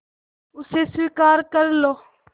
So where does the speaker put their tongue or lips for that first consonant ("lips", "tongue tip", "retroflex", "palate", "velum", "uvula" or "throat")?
tongue tip